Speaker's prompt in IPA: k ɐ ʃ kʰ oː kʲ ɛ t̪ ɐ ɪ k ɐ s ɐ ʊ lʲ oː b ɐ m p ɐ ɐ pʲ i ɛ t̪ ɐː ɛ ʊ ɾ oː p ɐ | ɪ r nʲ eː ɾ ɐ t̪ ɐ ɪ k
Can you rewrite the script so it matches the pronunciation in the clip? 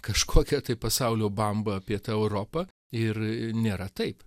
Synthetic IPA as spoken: k ɐ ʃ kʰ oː kʲ ɛ t̪ ɐ ɪ p ɐ s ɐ ʊ lʲ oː b ɐ m b ɐ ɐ pʲ i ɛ t̪ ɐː ɛ ʊ ɾ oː p ɐ | ɪ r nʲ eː ɾ ɐ t̪ ɐ ɪ p

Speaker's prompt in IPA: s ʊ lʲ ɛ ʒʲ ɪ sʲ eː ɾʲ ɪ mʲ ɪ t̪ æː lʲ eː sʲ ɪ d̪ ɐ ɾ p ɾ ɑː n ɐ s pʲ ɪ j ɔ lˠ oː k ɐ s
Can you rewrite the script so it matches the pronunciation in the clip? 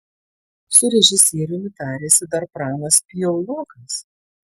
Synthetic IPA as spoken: s ʊ ɾʲ ɛ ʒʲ ɪ sʲ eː ɾʲ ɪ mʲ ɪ t̪ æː ɾʲ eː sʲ ɪ d̪ ɐ ɾ p ɾ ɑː n ɐ s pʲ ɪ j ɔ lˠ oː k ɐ s

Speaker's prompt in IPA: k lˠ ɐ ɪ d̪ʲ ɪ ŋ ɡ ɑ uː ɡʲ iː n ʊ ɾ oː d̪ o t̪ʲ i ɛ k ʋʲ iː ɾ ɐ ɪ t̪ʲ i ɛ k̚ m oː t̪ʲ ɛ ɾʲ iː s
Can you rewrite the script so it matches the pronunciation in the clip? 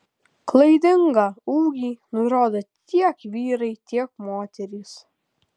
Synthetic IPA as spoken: k lˠ ɐ ɪ d̪ʲ ɪ ŋ ɡ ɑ uː ɡʲ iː n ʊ ɾ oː d̪ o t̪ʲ i ɛ k ʋʲ iː ɾ ɐ ɪ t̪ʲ i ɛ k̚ m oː t̪ʲ ɛ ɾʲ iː s

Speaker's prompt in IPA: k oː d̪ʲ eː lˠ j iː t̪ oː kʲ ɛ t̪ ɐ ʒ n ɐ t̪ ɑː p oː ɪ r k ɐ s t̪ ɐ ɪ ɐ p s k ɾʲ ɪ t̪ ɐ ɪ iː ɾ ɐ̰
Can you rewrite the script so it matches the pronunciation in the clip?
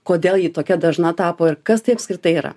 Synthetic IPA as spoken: k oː d̪ʲ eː lˠ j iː t̪ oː kʲ ɛ d̪ ɐ ʒ n ɐ t̪ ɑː p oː ɪ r k ɐ s t̪ ɐ ɪ ɐ p s k ɾʲ ɪ t̪ ɐ ɪ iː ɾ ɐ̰

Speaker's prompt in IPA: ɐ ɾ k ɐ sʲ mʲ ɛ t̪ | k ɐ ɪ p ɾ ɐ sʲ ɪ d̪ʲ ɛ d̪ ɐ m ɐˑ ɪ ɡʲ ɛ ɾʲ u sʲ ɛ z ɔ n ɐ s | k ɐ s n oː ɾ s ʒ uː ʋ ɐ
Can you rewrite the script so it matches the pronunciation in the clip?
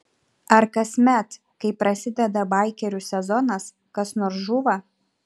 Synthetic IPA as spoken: ɐ ɾ k ɐ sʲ mʲ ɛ t̪ | k ɐ ɪ p ɾ ɐ sʲ ɪ d̪ʲ ɛ d̪ ɐ b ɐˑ ɪ kʲ ɛ ɾʲ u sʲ ɛ z ɔ n ɐ s | k ɐ s n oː ɾ s ʒ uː ʋ ɐ

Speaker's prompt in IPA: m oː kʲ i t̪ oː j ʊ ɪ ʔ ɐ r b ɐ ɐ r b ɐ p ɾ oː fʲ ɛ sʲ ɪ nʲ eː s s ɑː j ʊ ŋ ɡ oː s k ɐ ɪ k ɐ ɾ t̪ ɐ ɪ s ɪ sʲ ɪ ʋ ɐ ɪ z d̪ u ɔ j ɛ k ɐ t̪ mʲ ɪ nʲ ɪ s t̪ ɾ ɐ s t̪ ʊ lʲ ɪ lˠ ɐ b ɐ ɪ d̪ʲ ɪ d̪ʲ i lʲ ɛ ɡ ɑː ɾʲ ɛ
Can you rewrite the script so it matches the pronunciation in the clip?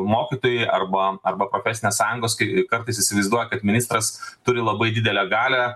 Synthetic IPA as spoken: m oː kʲ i t̪ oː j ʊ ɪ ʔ ɐ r b ɐ ɐ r b ɐ p ɾ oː fʲ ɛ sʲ ɪ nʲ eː s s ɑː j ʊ ŋ ɡ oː s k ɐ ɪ k ɐ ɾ t̪ ɐ ɪ s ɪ sʲ ɪ ʋ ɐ ɪ z d̪ u ɔ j ɛ k ɐ t̪ mʲ ɪ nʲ ɪ s t̪ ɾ ɐ s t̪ ʊ ɾʲ ɪ lˠ ɐ b ɐ ɪ d̪ʲ ɪ d̪ʲ ɛ lʲ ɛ ɡ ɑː lʲ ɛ

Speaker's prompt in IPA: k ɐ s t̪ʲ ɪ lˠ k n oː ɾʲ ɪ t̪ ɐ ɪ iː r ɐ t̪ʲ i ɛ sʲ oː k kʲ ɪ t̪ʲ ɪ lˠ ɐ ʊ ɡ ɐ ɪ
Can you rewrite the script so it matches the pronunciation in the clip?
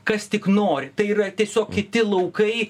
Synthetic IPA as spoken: k ɐ s t̪ʲ ɪ k n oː ɾʲ ɪ t̪ ɐ ɪ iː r ɐ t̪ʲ i ɛ sʲ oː k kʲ ɪ t̪ʲ ɪ lˠ ɐ ʊ k ɐ ɪ

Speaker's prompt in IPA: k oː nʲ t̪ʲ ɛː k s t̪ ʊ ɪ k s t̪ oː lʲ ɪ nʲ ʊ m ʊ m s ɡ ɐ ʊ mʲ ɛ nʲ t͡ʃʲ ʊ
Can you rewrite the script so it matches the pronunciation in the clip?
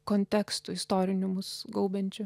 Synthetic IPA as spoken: k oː nʲ t̪ʲ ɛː k s t̪ ʊ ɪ s t̪ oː ɾʲ ɪ nʲ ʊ m ʊ s ɡ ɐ ʊ bʲ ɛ nʲ t͡ʃʲ ʊ

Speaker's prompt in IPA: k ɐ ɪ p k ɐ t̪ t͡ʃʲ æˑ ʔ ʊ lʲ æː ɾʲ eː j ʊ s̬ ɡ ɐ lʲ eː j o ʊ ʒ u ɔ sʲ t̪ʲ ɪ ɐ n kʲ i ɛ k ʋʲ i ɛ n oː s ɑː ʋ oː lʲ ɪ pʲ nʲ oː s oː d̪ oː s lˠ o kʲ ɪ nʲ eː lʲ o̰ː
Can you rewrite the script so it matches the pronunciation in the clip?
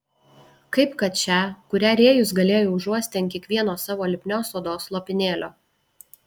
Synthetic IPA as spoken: k ɐ ɪ p k ɐ t̪ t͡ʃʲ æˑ k ʊ ɾʲ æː ɾʲ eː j ʊ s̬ ɡ ɐ lʲ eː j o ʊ ʒ u ɔ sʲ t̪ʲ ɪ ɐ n kʲ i ɛ k ʋʲ i ɛ n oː s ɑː ʋ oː lʲ ɪ pʲ nʲ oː s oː d̪ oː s lˠ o pʲ ɪ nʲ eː lʲ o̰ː

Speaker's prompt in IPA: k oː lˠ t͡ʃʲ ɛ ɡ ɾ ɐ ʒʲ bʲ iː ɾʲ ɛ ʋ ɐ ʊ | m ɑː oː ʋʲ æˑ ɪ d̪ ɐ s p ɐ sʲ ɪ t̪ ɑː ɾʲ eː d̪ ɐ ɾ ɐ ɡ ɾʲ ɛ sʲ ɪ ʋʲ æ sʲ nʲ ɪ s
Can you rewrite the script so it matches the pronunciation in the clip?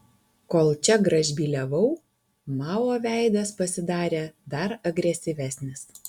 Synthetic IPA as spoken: k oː lˠ t͡ʃʲ ɛ ɡ ɾ ɐ ʒʲ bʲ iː lʲ ɛ ʋ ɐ ʊ | m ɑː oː ʋʲ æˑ ɪ d̪ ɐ s p ɐ sʲ ɪ d̪ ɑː ɾʲ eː d̪ ɐ ɾ ɐ ɡ ɾʲ ɛ sʲ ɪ ʋʲ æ sʲ nʲ ɪ s

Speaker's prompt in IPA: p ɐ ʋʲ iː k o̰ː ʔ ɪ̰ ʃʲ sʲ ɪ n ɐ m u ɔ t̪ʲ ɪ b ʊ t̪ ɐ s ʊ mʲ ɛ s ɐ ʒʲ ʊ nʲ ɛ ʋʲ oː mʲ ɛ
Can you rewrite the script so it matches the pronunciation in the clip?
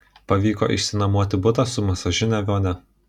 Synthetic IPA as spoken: p ɐ ʋʲ iː k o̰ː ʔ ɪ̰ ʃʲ sʲ ɪ n ɐ m u ɔ t̪ʲ ɪ b ʊ t̪ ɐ s ʊ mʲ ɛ s ɐ ʒʲ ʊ nʲ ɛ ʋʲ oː nʲ ɛ

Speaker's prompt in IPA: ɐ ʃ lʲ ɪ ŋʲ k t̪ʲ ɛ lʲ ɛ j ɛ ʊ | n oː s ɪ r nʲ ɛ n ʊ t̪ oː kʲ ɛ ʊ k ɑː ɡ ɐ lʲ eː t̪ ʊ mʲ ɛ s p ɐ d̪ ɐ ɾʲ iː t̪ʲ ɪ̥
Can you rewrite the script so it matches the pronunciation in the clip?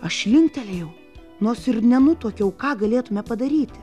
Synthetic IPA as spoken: ɐ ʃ lʲ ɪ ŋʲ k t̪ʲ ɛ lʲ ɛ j ɛ ʊ | n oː s ɪ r nʲ ɛ n ʊ t̪ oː kʲ ɛ ʊ k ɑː ɡ ɐ lʲ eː t̪ ʊ mʲ ɛ p ɐ d̪ ɐ ɾʲ iː t̪ʲ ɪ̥

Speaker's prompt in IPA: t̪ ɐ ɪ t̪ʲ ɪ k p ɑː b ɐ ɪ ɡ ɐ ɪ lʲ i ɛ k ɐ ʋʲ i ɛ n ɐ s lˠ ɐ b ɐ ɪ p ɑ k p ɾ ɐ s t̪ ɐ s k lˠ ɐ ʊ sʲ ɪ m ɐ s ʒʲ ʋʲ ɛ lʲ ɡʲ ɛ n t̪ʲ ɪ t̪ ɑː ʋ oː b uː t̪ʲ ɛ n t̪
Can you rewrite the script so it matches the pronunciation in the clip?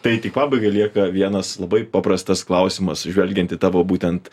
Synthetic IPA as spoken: t̪ ɐ ɪ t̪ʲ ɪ k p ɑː b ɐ ɪ ɡ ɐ ɪ lʲ i ɛ k ɐ ʋʲ i ɛ n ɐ s lˠ ɐ b ɐ ɪ p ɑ p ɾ ɐ s t̪ ɐ s k lˠ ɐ ʊ sʲ ɪ m ɐ s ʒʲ ʋʲ ɛ lʲ ɡʲ ɛ n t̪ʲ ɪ t̪ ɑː ʋ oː b uː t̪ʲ ɛ n t̪

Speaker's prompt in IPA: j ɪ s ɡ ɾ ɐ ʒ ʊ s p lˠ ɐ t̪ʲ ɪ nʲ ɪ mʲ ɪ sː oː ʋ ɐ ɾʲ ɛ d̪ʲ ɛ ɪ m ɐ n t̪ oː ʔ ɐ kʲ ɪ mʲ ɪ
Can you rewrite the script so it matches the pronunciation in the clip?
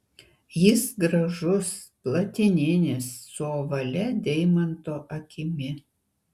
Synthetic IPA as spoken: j ɪ s ɡ ɾ ɐ ʒ ʊ s p lˠ ɐ t̪ʲ ɪ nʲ ɪ nʲ ɪ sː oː ʋ ɐ lʲ ɛ d̪ʲ ɛ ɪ m ɐ n t̪ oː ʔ ɐ kʲ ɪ mʲ ɪ

